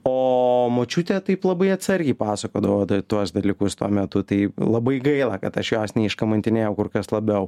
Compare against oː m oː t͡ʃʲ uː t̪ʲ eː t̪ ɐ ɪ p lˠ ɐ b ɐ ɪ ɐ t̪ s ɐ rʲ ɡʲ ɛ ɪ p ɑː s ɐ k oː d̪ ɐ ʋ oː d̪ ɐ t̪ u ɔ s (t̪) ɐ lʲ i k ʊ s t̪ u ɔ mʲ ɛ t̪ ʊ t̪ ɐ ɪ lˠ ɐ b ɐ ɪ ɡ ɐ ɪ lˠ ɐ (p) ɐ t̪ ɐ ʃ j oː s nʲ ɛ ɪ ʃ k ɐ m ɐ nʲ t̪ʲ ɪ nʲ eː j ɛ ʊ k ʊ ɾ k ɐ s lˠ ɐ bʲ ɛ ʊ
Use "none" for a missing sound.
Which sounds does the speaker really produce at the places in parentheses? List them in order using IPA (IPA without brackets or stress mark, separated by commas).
d̪, k